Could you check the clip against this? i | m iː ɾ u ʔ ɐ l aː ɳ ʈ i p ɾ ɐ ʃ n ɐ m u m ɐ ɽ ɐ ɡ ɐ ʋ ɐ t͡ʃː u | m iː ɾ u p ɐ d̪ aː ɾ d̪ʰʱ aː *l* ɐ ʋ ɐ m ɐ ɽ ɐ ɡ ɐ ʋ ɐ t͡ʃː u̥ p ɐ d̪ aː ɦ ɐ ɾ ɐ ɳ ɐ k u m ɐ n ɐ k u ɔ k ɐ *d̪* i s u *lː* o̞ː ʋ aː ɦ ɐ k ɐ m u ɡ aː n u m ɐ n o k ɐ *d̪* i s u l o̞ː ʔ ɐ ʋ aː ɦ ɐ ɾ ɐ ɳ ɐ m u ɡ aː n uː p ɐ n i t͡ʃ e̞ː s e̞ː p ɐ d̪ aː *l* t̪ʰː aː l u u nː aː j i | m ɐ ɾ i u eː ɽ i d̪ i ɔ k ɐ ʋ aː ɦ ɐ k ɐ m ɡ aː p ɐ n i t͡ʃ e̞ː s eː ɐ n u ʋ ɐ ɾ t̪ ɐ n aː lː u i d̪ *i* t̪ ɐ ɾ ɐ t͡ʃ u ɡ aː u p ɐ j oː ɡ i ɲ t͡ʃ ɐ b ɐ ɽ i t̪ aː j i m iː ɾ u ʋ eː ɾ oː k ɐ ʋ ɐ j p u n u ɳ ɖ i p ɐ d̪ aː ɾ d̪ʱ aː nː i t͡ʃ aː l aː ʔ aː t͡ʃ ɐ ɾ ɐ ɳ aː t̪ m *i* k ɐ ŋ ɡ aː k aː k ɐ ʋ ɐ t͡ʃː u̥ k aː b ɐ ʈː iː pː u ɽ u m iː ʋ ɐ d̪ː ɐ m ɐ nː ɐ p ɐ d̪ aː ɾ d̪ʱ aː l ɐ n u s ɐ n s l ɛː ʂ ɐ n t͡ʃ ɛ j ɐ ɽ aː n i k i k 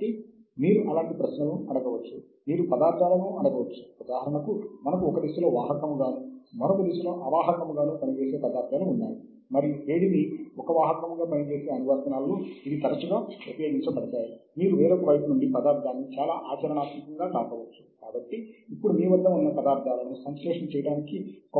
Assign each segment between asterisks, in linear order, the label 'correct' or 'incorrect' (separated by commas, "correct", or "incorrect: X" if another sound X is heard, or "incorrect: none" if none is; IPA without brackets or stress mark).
correct, correct, incorrect: l, correct, incorrect: ɾ, correct, correct